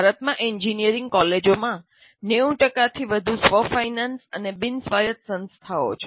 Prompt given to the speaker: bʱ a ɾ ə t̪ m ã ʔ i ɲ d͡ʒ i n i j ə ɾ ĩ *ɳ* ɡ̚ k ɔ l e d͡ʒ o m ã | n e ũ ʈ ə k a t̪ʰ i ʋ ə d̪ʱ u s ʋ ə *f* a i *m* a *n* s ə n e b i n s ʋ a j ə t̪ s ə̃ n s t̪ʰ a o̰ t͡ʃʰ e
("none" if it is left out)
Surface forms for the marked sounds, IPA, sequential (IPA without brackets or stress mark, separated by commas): ŋ, f, n, n